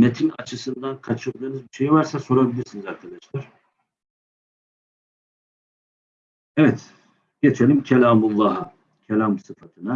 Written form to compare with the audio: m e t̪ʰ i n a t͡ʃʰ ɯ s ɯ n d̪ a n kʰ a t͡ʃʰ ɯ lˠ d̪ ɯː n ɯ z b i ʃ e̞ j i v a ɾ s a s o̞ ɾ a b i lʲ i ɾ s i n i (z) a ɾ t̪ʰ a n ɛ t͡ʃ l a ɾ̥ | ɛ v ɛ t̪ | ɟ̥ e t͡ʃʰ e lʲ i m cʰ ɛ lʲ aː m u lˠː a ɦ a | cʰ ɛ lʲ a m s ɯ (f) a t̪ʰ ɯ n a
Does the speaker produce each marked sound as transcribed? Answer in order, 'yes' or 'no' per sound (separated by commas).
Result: yes, yes